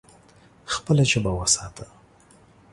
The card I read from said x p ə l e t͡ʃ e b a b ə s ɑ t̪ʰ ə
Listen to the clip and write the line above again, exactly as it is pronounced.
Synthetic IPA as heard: x p ə l a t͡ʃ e b a w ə s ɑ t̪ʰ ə